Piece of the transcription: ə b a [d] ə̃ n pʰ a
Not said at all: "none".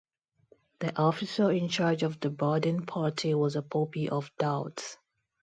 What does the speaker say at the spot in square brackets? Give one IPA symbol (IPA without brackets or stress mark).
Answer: d